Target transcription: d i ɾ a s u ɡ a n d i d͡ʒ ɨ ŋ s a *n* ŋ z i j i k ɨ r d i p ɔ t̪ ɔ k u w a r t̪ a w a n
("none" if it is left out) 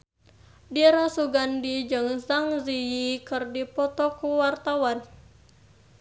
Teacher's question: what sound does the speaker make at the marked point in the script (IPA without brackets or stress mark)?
none